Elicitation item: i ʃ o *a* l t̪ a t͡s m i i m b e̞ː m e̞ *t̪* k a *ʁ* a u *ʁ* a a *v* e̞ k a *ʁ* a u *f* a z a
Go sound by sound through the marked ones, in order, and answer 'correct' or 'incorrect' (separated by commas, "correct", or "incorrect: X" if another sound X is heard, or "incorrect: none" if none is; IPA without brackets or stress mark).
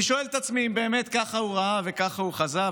incorrect: e, correct, incorrect: χ, correct, correct, incorrect: χ, incorrect: χ